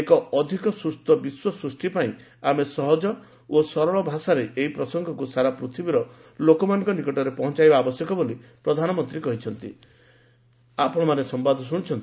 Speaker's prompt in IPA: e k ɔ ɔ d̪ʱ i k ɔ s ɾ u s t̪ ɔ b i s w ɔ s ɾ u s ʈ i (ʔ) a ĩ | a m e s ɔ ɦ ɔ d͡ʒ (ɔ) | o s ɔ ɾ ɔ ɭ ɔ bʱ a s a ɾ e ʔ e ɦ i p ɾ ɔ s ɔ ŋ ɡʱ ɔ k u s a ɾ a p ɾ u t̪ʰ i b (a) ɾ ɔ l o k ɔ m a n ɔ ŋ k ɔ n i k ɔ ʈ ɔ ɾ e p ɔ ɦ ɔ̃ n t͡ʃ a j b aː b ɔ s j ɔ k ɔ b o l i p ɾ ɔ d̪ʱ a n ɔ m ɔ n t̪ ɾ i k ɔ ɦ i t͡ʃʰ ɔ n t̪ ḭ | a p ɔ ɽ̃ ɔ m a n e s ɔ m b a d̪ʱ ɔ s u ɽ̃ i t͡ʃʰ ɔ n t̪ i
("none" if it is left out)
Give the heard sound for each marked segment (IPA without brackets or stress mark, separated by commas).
p, ɔ, i